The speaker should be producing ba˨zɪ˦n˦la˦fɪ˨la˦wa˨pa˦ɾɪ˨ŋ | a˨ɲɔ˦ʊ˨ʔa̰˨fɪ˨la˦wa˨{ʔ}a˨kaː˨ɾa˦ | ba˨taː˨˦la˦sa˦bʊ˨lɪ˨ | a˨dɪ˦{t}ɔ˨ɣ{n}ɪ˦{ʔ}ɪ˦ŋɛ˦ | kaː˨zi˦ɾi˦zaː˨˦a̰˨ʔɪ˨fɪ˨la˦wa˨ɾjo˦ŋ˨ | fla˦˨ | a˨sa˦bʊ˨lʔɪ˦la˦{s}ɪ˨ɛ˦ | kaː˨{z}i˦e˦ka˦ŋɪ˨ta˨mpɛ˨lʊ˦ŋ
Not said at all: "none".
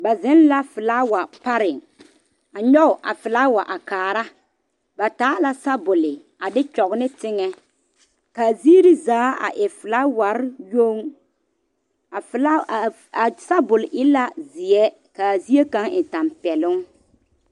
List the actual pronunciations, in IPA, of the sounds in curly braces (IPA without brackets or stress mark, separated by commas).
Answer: ʔ, t͡ʃ, n, t, z, z